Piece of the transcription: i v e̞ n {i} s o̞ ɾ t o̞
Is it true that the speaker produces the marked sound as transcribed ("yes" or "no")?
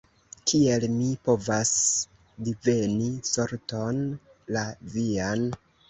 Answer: yes